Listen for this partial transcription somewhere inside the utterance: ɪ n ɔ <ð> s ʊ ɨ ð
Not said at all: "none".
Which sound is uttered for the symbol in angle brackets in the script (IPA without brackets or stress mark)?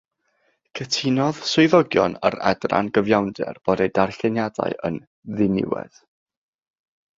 ð